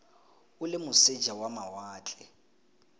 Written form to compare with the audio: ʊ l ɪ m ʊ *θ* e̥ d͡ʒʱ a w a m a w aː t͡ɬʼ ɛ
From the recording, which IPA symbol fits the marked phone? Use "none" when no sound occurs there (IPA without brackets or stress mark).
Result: s